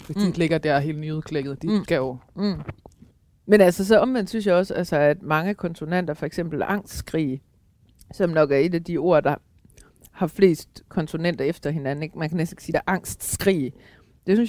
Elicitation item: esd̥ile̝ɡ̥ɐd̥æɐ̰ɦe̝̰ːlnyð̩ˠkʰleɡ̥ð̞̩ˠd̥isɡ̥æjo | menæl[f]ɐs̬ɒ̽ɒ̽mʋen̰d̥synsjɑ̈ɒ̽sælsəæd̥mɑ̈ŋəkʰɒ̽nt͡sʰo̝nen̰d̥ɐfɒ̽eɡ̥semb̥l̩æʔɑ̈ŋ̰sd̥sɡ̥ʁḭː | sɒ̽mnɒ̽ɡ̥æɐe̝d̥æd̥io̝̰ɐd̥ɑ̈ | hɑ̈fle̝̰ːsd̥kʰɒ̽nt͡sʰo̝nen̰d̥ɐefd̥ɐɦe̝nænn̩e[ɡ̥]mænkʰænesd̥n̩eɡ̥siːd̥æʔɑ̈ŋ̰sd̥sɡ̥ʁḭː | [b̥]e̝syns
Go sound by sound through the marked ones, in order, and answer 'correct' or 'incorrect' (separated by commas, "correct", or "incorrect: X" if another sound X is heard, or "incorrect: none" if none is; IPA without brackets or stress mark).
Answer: incorrect: s, correct, incorrect: d̥